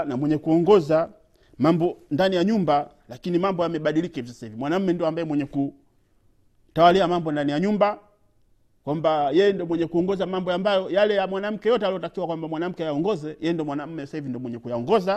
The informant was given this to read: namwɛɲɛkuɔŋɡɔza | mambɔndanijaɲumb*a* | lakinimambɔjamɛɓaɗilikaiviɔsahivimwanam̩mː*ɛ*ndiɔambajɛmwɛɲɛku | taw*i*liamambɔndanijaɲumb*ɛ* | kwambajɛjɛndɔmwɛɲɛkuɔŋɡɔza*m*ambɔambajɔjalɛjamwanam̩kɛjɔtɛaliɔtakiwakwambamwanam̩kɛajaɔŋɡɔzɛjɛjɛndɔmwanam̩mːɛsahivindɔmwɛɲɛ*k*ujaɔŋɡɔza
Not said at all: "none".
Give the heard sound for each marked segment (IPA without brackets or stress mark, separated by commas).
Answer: a, ɛ, a, a, m, k